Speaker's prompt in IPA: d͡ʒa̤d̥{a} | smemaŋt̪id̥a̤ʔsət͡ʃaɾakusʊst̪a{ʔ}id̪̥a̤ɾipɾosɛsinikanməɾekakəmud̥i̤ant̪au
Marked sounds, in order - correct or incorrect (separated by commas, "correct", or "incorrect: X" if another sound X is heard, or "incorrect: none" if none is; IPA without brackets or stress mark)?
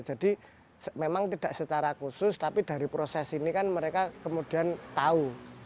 incorrect: i, incorrect: p